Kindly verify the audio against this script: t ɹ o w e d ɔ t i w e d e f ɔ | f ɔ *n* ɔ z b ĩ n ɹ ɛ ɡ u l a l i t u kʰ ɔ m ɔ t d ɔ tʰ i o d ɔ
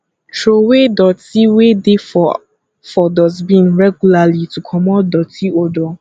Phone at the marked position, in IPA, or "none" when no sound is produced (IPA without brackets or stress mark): d